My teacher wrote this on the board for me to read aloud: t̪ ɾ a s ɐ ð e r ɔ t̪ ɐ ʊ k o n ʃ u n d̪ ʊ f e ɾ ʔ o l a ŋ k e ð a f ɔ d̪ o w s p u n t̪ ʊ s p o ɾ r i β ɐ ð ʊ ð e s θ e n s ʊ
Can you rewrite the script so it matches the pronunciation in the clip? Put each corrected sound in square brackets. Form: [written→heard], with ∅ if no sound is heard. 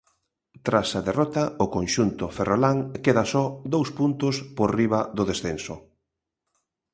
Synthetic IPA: t̪ ɾ a s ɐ ð e r ɔ t̪ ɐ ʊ k o n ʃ u n [d̪→t̪] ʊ f e [ɾ→r] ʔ o l a ŋ k e ð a [f→s] ɔ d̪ o w s p u n t̪ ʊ s p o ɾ r i β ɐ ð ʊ ð e s θ e n s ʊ